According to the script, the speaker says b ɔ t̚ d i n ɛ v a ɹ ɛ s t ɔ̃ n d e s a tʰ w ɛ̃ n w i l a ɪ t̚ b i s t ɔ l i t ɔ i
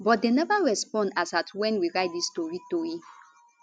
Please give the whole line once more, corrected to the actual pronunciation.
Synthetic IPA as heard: b ɔ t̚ d e n ɛ v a ɹ ɛ s p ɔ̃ n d a s a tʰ w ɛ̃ n w i ɹ a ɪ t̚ d i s t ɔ ɹ i t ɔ i